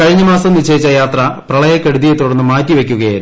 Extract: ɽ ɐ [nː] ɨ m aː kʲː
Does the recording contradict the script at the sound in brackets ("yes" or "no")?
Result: no